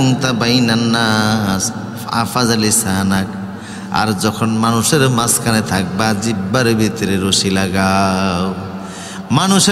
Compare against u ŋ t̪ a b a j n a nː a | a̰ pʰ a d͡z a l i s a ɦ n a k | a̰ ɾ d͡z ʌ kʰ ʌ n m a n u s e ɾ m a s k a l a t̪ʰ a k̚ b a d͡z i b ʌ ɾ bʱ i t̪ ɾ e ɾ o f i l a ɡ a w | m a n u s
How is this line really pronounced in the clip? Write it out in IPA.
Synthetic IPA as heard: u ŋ t̪ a b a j n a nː a | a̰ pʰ a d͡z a l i s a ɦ n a k | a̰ ɾ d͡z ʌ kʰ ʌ n m a n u s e ɾ m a s k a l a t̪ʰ a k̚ b a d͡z i b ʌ ɾ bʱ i t̪ ɾ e ɾ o s i l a ɡ a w | m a n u s